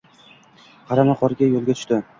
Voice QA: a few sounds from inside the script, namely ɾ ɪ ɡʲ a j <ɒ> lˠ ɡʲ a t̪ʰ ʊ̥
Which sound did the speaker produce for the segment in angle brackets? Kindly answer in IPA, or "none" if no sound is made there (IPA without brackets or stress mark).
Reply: o